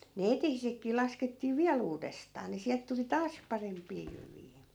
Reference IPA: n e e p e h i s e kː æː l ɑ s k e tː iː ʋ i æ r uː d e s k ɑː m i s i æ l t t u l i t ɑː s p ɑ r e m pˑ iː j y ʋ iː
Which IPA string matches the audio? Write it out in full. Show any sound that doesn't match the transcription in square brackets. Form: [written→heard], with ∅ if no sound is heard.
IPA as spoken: n e e [p→t] e h i s e kː [æː→iː] l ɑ s k e tː iː ʋ i æ [r→l] uː d e s [k→t] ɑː [m→n] i s i æ l t t u l i t ɑː s p ɑ r e m pˑ iː j y ʋ iː